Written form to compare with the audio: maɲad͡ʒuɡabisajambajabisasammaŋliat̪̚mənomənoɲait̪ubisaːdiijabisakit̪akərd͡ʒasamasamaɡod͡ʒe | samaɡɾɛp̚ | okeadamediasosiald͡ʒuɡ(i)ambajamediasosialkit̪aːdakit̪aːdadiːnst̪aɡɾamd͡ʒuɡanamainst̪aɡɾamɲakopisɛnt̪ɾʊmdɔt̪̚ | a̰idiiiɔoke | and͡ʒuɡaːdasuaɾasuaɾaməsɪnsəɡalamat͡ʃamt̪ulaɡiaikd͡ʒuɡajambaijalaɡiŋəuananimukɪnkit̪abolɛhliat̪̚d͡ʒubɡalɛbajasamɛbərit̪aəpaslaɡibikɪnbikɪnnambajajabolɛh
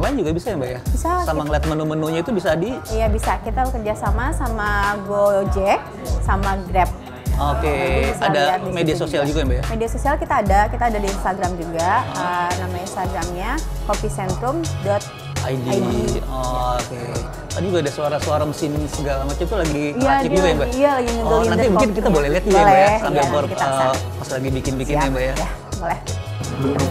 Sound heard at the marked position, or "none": a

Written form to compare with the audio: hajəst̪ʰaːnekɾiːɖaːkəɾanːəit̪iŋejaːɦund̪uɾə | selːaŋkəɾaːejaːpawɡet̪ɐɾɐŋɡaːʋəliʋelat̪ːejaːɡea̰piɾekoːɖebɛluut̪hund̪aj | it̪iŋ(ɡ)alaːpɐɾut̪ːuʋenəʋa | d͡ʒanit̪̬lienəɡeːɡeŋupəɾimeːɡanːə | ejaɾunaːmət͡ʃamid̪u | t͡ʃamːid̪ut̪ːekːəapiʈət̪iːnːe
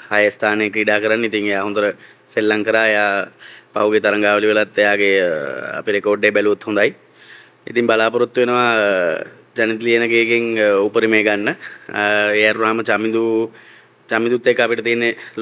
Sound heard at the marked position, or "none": b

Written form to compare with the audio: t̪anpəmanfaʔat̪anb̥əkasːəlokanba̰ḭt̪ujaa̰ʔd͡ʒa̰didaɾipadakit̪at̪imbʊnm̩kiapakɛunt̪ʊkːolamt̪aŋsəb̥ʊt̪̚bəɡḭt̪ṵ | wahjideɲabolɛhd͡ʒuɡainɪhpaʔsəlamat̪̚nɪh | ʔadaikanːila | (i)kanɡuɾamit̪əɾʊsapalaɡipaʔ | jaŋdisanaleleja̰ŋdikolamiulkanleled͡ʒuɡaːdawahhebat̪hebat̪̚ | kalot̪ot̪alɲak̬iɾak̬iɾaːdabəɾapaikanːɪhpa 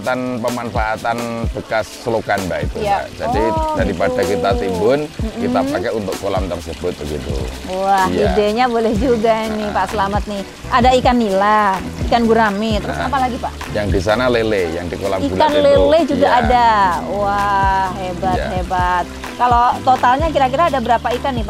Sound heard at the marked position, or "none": i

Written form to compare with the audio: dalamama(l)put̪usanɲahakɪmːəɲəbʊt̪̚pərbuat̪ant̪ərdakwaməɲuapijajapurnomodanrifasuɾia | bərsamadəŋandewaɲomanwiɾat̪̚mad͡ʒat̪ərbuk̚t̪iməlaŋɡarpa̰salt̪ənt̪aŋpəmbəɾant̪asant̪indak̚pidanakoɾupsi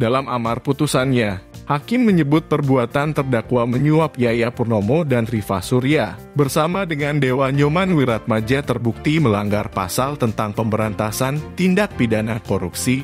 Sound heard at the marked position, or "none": r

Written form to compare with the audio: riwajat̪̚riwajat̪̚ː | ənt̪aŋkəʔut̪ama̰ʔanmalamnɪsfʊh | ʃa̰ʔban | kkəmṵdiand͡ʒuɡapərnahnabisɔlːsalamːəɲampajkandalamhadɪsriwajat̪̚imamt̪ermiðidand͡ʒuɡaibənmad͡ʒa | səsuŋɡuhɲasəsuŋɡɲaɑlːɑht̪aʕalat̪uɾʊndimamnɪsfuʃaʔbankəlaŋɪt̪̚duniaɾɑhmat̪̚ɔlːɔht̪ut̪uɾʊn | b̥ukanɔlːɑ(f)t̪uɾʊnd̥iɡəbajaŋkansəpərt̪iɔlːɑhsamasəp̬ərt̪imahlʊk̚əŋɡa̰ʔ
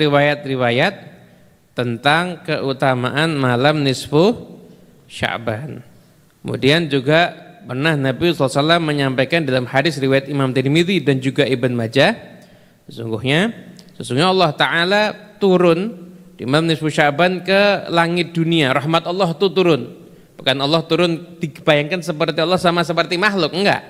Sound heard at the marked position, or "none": h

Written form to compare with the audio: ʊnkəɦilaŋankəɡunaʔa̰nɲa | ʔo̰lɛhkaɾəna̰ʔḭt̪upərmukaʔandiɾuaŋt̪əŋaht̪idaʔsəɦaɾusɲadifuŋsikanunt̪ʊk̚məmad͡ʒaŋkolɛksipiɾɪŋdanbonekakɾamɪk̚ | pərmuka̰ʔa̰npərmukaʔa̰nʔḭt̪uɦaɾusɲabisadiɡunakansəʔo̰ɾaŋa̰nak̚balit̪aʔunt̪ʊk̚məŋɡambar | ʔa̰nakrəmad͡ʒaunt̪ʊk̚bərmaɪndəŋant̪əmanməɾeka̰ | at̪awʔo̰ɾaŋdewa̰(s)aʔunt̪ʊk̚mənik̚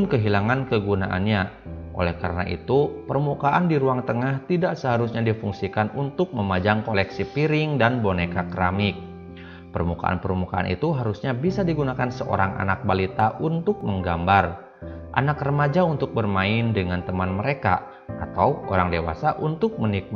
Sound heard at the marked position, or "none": s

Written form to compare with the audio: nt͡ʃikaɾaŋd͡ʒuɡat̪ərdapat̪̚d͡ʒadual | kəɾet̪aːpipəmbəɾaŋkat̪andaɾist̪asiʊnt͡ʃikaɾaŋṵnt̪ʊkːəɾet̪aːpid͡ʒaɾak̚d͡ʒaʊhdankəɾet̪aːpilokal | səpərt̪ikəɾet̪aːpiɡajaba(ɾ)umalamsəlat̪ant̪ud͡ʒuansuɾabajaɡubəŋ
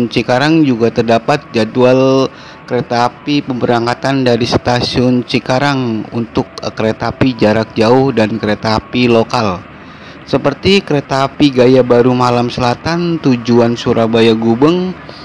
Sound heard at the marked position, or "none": ɾ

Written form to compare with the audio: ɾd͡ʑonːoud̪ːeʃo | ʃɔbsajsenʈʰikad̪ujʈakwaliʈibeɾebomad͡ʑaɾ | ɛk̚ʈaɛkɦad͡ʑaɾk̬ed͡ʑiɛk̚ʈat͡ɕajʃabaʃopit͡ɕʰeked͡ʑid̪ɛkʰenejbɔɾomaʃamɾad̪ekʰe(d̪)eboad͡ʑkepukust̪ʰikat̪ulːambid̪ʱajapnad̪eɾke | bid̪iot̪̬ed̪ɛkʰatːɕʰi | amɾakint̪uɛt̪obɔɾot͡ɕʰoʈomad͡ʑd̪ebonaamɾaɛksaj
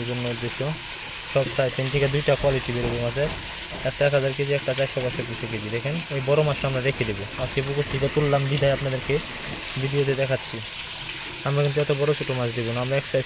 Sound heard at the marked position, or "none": d̪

